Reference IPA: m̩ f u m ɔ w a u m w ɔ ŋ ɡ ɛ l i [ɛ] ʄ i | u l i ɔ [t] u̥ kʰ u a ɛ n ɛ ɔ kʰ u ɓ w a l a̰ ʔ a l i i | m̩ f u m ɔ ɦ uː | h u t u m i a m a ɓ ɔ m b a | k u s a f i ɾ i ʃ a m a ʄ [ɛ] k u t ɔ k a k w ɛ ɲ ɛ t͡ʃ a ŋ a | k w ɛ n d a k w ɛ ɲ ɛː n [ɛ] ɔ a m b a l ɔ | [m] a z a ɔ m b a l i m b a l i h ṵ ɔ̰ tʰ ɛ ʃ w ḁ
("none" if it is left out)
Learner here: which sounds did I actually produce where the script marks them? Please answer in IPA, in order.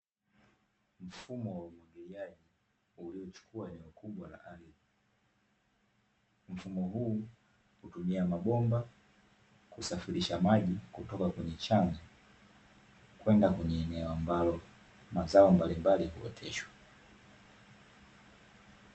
a, t͡ʃ, i, ɛ, m

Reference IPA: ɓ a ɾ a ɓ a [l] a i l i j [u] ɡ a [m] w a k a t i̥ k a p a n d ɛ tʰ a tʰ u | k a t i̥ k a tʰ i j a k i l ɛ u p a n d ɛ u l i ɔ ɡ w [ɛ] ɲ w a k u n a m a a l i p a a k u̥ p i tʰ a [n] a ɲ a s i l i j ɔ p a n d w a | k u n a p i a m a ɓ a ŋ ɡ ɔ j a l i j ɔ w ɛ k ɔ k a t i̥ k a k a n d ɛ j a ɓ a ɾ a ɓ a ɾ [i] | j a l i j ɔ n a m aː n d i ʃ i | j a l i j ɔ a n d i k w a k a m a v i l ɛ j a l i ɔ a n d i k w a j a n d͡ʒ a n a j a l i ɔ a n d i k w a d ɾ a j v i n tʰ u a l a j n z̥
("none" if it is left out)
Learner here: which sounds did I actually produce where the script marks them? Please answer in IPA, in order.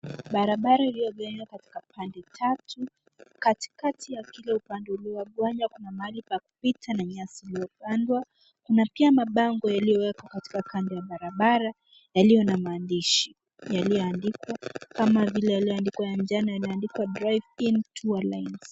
ɾ, ɔ, ɲ, a, n, a

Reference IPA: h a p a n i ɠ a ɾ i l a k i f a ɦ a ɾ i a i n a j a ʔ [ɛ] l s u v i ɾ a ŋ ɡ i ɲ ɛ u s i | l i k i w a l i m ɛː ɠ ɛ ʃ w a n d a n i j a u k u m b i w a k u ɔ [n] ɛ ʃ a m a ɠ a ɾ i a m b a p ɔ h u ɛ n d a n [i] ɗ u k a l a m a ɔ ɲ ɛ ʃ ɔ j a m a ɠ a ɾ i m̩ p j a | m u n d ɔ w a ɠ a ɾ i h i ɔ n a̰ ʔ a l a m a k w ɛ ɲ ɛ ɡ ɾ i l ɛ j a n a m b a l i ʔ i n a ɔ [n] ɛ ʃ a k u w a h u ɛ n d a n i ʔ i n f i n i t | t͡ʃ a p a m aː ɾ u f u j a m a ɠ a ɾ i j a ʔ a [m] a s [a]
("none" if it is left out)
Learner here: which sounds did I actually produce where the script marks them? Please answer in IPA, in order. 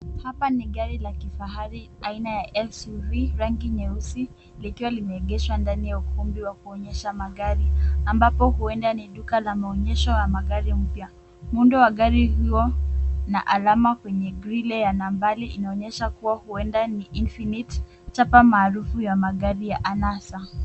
ɛ, ɲ, i, ɲ, n, a

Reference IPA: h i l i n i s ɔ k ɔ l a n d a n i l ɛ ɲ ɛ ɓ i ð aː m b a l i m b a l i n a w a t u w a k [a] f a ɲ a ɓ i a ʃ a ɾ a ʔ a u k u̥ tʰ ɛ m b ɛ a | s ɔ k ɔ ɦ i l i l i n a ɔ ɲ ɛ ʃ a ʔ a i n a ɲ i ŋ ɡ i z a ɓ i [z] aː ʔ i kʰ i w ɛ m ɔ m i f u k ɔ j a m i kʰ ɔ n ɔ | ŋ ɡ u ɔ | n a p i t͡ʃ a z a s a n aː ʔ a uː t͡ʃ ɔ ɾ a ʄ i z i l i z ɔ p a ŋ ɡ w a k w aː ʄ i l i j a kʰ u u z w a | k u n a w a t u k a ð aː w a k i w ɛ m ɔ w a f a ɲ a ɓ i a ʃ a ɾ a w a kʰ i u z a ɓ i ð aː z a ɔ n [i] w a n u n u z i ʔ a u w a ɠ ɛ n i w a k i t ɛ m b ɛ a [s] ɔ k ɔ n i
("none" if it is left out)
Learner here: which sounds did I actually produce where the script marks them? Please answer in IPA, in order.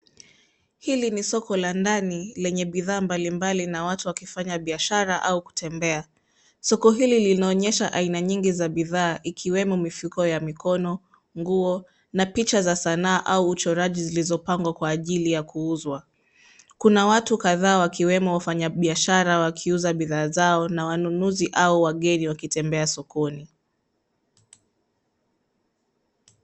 i, ð, a, s

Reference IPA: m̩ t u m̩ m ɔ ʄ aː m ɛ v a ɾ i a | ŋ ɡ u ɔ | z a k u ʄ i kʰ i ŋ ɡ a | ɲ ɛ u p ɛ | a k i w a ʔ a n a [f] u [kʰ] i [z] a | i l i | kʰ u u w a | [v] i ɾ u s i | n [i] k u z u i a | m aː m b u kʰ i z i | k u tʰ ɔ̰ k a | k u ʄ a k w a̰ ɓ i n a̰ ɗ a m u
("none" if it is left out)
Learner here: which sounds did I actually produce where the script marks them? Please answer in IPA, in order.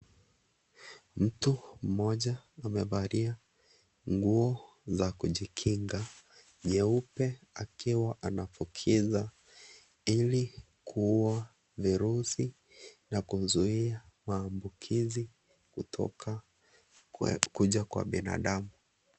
f, kʰ, z, v, a

